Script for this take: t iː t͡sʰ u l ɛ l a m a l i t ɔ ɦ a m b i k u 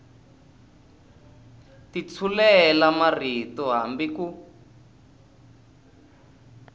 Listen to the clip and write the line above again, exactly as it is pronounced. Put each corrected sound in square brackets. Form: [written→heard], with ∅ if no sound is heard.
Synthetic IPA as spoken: t [iː→i] t͡sʰ u l ɛ l a m a [l→r] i t ɔ ɦ a m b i k u

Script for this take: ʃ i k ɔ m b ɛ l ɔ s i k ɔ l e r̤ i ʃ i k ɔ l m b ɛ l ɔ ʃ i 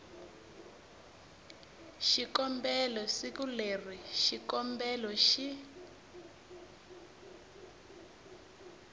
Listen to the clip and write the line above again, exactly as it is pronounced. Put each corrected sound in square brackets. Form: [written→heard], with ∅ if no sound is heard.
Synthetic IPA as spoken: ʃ i k ɔ m b ɛ l ɔ s i k [ɔ→u] l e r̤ i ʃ i k ɔ [l→∅] m b ɛ l ɔ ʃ i

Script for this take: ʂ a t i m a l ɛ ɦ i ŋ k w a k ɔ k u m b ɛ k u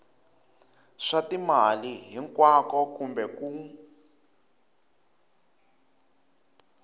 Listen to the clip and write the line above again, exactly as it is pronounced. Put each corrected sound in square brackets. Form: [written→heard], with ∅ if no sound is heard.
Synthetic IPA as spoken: ʂ a t i m a l [ɛ→i] ɦ i ŋ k w a k ɔ k u m b ɛ k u

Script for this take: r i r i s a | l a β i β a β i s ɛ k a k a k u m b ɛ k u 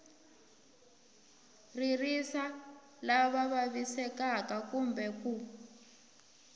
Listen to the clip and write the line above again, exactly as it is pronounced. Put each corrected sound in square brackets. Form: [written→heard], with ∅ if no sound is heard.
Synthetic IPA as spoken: r i r i s a | l a β [i→a] β a β i s ɛ k a k a k u m b ɛ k u

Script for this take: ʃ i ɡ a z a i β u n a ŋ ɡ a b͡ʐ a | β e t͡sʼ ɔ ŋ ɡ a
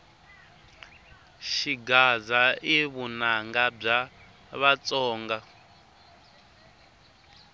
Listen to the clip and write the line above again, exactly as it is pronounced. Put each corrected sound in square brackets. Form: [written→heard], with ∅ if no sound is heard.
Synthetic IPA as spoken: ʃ i ɡ a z a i β u n a ŋ ɡ a b͡ʐ a | β [e→a] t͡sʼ [ɔ→ɔː] ŋ ɡ a

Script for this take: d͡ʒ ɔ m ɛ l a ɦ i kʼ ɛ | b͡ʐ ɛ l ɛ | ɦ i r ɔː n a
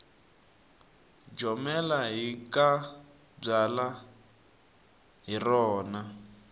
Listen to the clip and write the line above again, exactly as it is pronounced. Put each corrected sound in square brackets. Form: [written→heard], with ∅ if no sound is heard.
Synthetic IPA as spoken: d͡ʒ ɔ m ɛ l a ɦ i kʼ [ɛ→a] | b͡ʐ [ɛ→a] l [ɛ→a] | ɦ i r ɔː n a

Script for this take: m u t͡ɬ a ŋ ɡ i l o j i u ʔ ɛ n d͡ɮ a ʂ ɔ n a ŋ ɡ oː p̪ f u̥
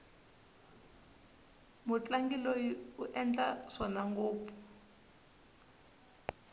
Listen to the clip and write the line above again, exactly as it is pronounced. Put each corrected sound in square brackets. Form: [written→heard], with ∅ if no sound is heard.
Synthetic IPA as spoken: m u t͡ɬ a ŋ ɡ i l o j i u ʔ ɛ n d͡ɮ a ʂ ɔ n a ŋ ɡ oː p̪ f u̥

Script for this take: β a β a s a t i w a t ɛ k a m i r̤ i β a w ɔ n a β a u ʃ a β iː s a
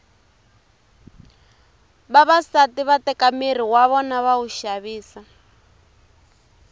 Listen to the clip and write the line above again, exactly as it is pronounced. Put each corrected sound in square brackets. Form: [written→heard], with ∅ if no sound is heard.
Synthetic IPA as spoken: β a β a s a t i [w→β] a t ɛ k a m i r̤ i [β→w] a [w→β] ɔ n a β a u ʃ a β iː s a

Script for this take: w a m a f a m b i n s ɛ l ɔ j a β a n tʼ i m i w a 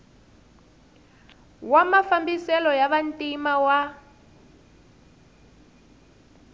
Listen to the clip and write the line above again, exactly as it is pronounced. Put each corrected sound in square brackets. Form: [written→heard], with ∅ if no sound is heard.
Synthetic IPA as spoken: w a m a f a m b i [n→∅] s ɛ l ɔ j a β a n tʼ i m [i→a] w a

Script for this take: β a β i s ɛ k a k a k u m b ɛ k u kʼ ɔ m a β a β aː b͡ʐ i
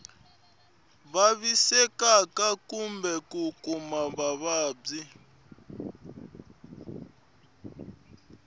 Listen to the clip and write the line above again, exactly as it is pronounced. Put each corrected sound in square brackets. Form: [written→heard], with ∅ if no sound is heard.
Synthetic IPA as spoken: β a β i s ɛ k a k a k u m b ɛ k u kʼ [ɔ→u] m a β a β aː b͡ʐ i

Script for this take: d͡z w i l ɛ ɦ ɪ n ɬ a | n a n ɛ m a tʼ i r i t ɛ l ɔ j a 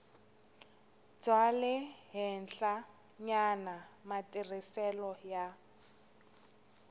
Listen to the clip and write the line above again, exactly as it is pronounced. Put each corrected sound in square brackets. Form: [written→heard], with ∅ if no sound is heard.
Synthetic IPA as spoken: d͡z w [i→a] l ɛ ɦ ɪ n ɬ a | [n→ɲ] a n [ɛ→a] m a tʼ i r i [t→s] ɛ l ɔ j a

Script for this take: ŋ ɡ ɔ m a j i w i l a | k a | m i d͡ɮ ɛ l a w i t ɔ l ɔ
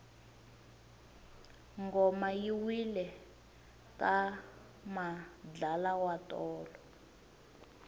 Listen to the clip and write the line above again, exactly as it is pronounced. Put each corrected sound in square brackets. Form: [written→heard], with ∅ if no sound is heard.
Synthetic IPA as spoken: ŋ ɡ ɔ m a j i w i l [a→ɛ] | k a | m [i→a] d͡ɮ [ɛ→a] l a w [i→a] t [ɔ→ɔː] l ɔ

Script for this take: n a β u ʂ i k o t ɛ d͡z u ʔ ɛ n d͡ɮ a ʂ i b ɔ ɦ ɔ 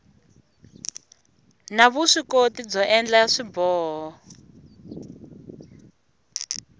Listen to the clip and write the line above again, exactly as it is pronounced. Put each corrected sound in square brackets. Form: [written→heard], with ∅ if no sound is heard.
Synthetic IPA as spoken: n a β u ʂ i k o t [ɛ→i] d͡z [u→ɔ] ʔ ɛ n d͡ɮ a ʂ i b [ɔ→ɔː] ɦ ɔ

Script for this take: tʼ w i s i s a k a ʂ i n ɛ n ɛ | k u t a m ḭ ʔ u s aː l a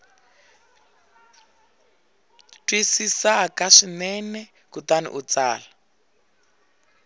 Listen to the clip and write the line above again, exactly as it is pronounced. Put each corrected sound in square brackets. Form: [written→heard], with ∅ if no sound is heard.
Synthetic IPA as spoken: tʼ w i s i s a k a ʂ i n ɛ n ɛ | k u t a [m→n] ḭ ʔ u [s→t͡s] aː l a

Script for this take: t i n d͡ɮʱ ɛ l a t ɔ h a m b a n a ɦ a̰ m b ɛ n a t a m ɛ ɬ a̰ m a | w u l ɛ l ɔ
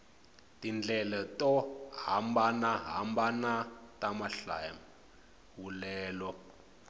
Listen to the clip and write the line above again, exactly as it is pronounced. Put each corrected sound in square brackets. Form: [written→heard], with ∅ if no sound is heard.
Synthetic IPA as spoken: t i n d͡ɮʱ ɛ l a t ɔ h a m b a n a ɦ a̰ m b [ɛ→a] n a t a m [ɛ→a] ɬ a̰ m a | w u l [ɛ→ɛː] l ɔ

